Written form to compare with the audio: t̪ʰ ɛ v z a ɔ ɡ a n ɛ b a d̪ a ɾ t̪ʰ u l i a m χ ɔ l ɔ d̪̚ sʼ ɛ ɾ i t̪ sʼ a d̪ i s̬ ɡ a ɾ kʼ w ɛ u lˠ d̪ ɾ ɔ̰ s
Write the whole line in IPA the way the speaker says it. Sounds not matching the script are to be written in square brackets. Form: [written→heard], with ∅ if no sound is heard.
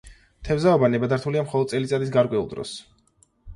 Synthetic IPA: t̪ʰ ɛ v z a ɔ [ɡ→b] a n ɛ b a d̪ a ɾ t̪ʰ u l i a m χ ɔ l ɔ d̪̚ sʼ ɛ [ɾ→l] i t̪ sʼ a d̪ i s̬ ɡ a ɾ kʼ w ɛ u lˠ d̪ ɾ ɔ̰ s